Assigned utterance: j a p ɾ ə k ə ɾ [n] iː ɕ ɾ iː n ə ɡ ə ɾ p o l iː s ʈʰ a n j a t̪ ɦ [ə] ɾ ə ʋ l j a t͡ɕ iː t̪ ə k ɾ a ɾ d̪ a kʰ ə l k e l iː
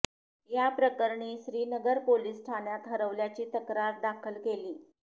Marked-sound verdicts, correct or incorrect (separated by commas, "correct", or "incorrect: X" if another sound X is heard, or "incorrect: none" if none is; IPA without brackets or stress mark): incorrect: ɳ, correct